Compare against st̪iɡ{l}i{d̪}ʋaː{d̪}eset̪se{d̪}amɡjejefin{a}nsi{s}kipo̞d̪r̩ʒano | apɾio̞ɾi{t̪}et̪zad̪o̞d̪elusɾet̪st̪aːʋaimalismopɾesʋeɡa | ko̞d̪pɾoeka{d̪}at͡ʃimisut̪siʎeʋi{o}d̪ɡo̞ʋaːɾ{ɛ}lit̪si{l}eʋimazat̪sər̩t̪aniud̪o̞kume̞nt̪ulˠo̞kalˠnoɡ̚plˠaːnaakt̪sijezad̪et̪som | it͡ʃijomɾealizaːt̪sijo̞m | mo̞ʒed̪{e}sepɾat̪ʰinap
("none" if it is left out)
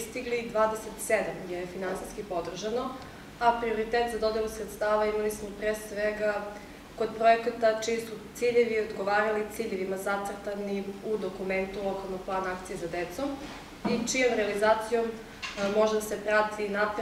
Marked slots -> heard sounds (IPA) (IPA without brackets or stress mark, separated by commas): l, d̪, d̪, d̪, a, s, t̪, t̪, o, a, ʎ, a